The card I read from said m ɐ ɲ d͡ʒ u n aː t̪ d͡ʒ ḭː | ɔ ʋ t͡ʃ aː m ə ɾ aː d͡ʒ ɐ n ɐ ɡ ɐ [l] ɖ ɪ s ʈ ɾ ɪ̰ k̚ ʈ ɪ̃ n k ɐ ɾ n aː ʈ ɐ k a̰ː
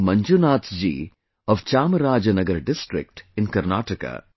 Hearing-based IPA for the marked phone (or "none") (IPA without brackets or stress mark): ɾ